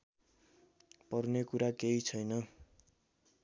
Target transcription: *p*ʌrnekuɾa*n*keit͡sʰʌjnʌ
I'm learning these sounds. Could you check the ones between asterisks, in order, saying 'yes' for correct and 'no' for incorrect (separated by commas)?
yes, no